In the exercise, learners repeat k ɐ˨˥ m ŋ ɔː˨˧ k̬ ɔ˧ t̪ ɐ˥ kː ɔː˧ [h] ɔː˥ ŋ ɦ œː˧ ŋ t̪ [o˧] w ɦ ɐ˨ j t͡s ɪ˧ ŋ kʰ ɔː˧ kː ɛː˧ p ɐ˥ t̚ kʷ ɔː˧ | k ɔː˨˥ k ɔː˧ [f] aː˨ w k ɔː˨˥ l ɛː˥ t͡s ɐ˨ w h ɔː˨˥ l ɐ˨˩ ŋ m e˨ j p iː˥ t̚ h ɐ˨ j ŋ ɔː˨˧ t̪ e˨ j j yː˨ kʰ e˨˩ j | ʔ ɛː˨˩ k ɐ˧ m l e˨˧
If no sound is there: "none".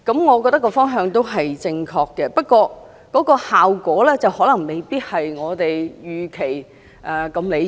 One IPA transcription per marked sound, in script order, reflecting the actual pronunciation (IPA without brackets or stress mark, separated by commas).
f, o˥, h